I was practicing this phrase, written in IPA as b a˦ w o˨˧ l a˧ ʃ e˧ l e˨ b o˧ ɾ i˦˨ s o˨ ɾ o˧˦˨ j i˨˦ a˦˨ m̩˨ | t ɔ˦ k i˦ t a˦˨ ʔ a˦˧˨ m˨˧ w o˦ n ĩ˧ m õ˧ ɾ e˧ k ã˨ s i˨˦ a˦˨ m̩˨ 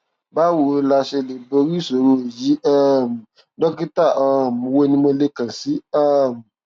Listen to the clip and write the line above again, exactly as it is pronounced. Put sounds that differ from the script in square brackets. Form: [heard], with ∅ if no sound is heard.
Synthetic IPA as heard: b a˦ w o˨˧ l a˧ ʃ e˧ l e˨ b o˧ ɾ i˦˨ s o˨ ɾ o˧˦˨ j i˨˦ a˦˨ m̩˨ | [d] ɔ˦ k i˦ t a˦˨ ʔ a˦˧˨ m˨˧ w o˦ n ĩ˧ m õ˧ [l] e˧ k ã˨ s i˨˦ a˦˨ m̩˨

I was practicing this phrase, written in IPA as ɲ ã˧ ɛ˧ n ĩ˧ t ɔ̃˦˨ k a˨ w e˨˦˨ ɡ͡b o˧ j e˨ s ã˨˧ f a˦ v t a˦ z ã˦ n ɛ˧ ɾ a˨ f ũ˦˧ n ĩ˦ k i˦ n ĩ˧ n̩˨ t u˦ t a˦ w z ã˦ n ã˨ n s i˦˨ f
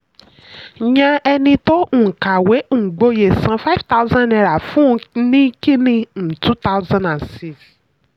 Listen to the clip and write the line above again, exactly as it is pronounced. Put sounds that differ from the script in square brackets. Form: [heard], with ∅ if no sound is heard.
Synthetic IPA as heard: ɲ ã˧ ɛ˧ n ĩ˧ t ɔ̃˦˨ k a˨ w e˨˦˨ ɡ͡b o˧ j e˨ s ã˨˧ f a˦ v t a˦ z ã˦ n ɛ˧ ɾ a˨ f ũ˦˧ n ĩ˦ k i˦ n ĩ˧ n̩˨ t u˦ t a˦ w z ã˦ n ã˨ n s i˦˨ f

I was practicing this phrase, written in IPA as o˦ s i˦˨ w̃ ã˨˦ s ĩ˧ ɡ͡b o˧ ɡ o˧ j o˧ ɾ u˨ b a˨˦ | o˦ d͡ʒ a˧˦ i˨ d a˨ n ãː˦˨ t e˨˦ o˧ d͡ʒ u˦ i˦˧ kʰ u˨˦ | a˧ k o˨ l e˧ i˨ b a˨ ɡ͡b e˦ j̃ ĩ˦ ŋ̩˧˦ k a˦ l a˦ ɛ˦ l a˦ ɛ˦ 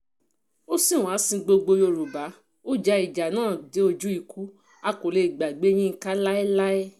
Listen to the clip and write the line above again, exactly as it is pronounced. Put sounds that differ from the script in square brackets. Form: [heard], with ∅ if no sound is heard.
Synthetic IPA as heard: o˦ s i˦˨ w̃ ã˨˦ s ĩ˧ ɡ͡b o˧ [ɡ͡b] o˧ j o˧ ɾ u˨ b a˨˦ | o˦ d͡ʒ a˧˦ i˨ [d͡ʒ] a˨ n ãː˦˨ [d] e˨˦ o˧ d͡ʒ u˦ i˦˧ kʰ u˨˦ | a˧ k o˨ l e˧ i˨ [ɡ͡b] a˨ ɡ͡b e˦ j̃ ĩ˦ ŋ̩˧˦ k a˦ l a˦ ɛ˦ l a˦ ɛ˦

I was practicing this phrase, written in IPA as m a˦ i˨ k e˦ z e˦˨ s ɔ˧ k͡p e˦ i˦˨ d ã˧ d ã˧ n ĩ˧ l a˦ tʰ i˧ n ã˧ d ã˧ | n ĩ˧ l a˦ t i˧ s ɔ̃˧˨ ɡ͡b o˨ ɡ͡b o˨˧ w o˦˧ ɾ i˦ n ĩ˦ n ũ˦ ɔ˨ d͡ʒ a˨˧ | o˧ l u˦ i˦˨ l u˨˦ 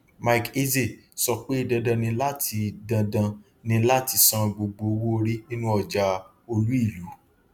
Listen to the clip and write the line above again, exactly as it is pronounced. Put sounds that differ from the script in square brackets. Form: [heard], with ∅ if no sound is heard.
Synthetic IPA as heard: m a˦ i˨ k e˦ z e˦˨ s ɔ˧ k͡p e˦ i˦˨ d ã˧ d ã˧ n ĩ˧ l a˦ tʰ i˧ [d] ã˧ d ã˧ | n ĩ˧ l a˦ t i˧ s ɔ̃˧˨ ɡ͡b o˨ ɡ͡b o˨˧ w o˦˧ ɾ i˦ n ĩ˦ n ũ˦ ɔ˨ d͡ʒ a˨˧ | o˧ l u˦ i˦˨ l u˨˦

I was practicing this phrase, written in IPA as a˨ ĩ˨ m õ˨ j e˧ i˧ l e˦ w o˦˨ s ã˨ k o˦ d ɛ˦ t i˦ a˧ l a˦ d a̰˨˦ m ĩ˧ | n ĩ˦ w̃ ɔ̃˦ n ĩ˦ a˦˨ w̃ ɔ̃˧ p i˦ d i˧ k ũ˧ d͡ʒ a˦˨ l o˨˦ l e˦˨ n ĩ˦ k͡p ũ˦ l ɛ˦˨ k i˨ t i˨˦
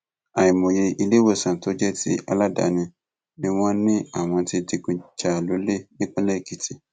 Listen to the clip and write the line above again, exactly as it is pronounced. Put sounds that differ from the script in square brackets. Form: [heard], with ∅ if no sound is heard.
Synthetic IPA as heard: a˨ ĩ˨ m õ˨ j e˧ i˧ l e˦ w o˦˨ s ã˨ [t] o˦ [d͡ʒ] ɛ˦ t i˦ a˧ l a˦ d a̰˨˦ [n] ĩ˧ | n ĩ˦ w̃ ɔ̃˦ n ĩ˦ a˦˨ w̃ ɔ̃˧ [t] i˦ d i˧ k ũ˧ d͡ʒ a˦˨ l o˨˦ l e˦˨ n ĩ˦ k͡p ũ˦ l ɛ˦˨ k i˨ t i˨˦

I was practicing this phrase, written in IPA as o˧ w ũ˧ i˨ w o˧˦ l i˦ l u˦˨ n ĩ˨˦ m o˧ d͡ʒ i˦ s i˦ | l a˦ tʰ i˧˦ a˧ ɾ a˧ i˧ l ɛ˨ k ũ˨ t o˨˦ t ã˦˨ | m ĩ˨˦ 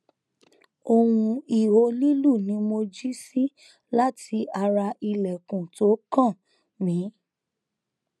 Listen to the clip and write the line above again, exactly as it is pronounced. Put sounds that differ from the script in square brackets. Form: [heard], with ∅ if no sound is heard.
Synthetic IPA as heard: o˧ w ũ˧ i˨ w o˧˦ l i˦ l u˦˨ n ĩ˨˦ m o˧ d͡ʒ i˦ s i˦ | l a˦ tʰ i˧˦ a˧ ɾ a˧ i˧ l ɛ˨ k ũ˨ t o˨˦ [k] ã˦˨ | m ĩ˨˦

